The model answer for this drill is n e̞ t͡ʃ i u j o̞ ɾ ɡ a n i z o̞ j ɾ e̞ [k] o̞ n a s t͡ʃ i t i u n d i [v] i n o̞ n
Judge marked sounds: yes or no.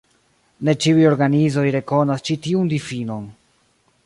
yes, no

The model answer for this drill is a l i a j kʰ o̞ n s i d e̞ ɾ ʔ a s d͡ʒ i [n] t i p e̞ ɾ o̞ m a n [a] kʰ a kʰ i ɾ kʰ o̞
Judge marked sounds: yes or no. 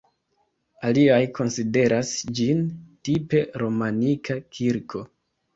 yes, no

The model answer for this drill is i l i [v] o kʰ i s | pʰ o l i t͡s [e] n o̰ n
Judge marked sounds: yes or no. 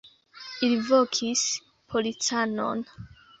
yes, no

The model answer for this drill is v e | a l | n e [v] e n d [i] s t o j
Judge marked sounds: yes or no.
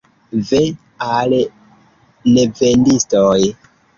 yes, yes

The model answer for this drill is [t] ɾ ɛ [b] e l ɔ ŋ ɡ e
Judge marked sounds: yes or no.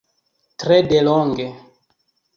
yes, no

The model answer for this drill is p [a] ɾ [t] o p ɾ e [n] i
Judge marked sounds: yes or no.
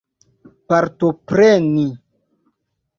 yes, yes, yes

